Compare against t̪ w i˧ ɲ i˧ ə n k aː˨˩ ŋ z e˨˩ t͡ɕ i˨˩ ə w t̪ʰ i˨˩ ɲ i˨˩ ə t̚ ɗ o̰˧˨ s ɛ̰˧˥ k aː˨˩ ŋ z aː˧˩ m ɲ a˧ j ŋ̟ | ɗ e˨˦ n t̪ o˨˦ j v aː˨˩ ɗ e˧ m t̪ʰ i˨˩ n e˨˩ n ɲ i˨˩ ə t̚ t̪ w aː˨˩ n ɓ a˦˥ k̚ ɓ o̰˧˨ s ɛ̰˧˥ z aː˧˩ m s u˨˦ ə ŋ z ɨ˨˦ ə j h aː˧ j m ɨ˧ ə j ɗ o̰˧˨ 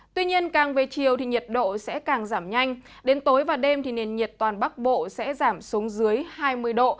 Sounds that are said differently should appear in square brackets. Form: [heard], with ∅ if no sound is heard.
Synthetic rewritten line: t̪ w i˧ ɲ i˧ ə n k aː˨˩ ŋ [v] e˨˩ t͡ɕ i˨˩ ə w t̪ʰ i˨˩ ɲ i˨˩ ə t̚ ɗ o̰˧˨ s ɛ̰˧˥ k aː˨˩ ŋ z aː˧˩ m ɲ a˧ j ŋ̟ | ɗ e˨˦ n t̪ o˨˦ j v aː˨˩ ɗ e˧ m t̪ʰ i˨˩ n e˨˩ n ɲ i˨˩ ə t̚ t̪ w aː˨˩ n ɓ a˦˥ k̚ ɓ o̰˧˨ s ɛ̰˧˥ z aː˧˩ m s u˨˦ ə ŋ z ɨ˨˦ ə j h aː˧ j m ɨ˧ ə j ɗ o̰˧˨